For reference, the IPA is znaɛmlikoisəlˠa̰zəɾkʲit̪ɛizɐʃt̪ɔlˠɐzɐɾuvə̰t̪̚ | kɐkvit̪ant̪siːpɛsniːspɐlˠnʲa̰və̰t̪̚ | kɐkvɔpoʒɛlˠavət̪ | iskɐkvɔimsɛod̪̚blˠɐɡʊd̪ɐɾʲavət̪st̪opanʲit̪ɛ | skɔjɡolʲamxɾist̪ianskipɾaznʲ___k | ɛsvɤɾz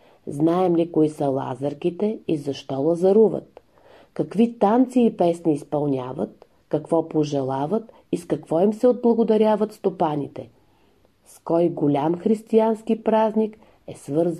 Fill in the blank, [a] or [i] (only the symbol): i